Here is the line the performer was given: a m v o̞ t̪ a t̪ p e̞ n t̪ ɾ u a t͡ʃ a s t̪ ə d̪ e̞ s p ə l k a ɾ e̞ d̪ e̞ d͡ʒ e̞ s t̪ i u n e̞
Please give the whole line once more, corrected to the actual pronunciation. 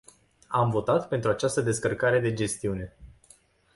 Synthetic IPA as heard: a m v o̞ t̪ a t̪ p e̞ n t̪ ɾ u a t͡ʃ a s t̪ ə d̪ e̞ s k ə r k a ɾ e̞ d̪ e̞ d͡ʒ e̞ s t̪ i u n e̞